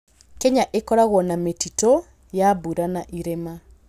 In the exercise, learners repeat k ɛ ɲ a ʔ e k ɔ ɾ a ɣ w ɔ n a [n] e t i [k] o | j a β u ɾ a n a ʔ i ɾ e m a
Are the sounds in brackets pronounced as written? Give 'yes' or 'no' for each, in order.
no, no

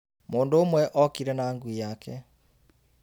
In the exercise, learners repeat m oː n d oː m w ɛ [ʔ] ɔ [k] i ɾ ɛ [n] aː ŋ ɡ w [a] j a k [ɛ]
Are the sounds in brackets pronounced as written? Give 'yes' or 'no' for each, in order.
yes, yes, yes, no, yes

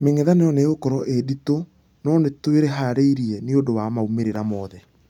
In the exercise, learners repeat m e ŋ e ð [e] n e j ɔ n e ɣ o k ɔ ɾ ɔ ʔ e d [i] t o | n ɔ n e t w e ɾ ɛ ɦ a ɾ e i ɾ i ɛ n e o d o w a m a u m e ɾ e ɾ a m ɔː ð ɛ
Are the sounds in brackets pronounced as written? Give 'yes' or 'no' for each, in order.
no, yes

